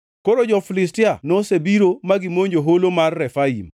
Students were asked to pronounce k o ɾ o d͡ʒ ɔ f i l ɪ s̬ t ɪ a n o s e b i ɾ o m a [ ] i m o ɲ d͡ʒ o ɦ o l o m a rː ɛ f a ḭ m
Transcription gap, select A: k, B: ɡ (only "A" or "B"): B